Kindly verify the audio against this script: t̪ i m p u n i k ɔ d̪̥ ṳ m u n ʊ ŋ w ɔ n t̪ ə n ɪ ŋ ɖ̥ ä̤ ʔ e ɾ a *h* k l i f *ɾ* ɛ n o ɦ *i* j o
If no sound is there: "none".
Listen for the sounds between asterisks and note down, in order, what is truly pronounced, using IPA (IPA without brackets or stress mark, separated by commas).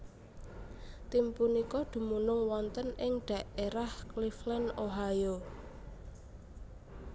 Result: h, l, a